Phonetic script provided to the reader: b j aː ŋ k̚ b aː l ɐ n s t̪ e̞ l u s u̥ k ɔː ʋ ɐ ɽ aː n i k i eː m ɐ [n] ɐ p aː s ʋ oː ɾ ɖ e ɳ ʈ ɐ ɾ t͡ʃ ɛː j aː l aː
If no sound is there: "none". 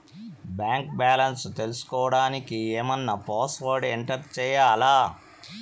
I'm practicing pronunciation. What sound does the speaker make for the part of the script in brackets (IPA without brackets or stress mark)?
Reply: nː